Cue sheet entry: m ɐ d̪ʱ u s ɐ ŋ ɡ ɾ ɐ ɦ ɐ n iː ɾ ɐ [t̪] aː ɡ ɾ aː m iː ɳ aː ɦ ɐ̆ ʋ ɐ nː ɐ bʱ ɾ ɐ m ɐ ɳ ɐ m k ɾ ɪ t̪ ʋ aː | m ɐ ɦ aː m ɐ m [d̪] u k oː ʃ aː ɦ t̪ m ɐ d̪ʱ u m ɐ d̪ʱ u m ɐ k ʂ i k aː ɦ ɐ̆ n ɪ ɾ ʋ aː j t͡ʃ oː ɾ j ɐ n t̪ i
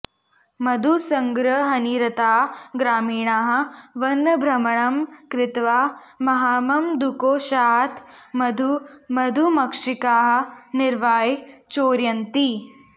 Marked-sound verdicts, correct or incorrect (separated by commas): correct, correct